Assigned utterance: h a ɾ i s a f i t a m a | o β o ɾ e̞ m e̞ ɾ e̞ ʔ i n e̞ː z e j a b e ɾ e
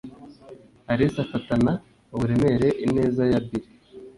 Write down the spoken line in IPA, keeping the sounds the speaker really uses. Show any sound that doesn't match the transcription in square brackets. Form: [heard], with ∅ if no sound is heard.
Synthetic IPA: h a ɾ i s a f [a] t a [n] a | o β [u] ɾ e̞ m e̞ ɾ e̞ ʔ i n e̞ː z [a] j a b [i] ɾ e

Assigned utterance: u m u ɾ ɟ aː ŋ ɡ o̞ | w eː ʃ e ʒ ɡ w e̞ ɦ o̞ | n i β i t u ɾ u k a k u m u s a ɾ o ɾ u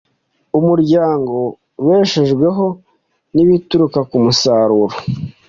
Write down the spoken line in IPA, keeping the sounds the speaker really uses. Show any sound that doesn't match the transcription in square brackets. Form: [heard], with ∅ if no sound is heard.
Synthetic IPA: u m u ɾ ɟ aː ŋ ɡ o̞ | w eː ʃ e ʒ ɡ w e̞ ɦ o̞ | n i β i t u ɾ u k a k u m u s a ɾ [u] ɾ [o]

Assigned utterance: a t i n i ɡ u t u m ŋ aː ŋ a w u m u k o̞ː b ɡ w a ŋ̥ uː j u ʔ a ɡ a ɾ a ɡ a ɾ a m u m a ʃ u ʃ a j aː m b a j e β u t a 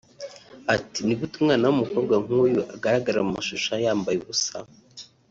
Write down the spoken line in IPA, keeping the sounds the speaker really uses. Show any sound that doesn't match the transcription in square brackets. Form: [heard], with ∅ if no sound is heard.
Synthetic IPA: a t i n i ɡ u t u m ŋ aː [n] a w u m u k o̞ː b ɡ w a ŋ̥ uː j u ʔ a ɡ a ɾ a ɡ a ɾ a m u m a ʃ u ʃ a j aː m b a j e β u [s] a

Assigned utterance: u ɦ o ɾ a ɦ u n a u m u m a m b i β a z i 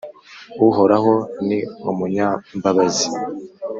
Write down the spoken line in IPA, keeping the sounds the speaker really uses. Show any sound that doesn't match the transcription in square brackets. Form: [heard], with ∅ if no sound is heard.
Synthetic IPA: u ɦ o ɾ a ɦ [o] n [i] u m u [ɲ] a m b [a] β a z i

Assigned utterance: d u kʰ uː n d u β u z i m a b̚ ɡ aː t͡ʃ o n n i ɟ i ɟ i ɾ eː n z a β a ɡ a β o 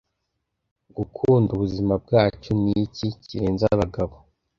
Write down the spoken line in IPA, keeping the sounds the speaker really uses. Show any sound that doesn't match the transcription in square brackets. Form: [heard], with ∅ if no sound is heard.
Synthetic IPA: [ɡ] u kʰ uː n d u β u z i m a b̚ ɡ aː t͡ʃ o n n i [c] i [c] i ɾ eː n z a β a ɡ a β o

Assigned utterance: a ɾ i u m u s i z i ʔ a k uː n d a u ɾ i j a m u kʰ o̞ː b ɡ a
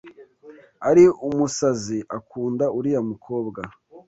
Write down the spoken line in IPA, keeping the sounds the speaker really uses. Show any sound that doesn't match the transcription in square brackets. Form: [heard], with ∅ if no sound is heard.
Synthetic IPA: a ɾ i u m u s [a] z i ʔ a k uː n d a u ɾ i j a m u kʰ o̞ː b ɡ a

